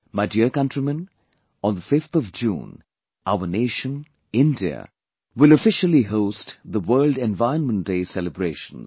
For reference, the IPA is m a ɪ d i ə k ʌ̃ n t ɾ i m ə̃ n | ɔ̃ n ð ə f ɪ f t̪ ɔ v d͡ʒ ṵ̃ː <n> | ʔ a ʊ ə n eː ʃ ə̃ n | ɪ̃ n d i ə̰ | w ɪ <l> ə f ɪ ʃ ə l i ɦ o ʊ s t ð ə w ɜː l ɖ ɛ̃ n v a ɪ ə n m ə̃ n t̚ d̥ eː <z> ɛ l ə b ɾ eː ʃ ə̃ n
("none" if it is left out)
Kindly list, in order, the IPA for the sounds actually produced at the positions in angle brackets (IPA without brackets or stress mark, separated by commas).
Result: n, l, s